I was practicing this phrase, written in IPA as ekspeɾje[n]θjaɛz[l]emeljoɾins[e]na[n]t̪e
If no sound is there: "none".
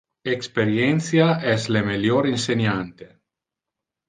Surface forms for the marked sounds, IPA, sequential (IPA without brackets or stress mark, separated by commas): n, l, e, n